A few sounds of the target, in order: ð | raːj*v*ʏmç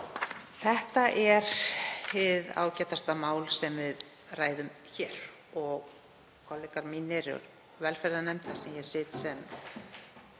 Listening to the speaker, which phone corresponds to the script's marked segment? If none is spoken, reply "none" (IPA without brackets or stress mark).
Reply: ð